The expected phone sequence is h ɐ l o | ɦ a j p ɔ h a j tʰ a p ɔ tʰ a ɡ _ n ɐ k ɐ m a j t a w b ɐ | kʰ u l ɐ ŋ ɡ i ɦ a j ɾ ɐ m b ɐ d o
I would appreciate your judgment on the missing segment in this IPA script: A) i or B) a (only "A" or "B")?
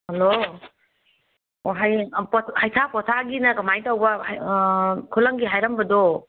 A